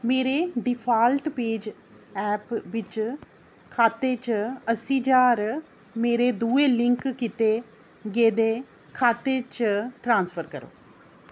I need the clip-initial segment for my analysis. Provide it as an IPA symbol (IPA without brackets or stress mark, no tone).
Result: m